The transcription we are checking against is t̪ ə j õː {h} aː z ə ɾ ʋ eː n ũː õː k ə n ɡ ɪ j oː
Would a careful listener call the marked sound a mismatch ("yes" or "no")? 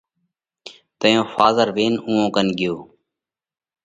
yes